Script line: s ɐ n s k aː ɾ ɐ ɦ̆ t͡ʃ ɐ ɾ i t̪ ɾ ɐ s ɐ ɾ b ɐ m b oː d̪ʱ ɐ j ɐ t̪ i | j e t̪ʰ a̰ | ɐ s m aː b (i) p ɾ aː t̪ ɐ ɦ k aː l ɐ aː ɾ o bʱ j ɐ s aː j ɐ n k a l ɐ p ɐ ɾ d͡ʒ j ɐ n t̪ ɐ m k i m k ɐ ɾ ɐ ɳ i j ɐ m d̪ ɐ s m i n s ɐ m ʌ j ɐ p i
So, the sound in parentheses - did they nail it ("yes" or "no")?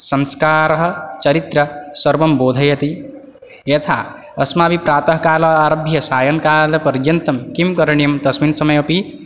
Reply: yes